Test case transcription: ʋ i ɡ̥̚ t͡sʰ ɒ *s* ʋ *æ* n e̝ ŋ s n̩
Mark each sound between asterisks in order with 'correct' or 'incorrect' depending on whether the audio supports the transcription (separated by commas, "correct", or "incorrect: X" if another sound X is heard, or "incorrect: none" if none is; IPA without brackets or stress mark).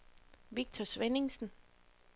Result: correct, incorrect: e